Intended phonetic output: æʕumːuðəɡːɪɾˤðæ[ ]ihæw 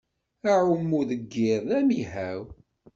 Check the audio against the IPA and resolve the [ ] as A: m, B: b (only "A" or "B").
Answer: A